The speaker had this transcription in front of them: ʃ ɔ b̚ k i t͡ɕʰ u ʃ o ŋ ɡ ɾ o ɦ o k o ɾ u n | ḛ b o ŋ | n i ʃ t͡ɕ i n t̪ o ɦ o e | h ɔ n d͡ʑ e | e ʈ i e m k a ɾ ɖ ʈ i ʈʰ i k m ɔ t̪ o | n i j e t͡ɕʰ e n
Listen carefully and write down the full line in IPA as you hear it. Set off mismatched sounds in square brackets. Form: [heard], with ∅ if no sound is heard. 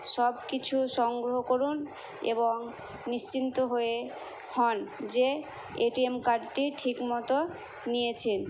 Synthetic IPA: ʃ ɔ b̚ k i t͡ɕʰ u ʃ [ɔ] ŋ ɡ ɾ o ɦ o k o ɾ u n | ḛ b o ŋ | n i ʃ t͡ɕ i n t̪ o ɦ o e | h ɔ n d͡ʑ e | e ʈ i e m k a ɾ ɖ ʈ i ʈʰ i k m ɔ t̪ o | n i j e t͡ɕʰ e n